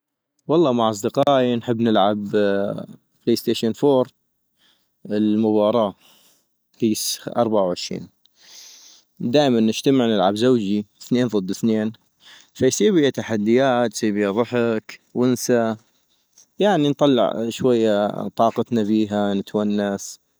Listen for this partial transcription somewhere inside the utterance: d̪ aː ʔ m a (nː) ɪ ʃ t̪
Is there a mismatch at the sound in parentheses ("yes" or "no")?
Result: no